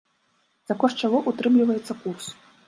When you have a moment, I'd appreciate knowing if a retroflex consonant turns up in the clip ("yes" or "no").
yes